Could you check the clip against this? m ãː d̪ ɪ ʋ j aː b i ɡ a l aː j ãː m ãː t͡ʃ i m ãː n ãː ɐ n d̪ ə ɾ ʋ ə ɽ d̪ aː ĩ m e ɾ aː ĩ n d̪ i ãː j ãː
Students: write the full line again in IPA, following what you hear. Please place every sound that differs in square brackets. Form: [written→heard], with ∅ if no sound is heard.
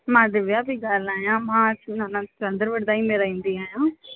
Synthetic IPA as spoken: m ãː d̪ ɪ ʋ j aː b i ɡ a l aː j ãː m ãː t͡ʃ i [m→n] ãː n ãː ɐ n d̪ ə ɾ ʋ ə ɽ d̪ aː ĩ m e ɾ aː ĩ n d̪ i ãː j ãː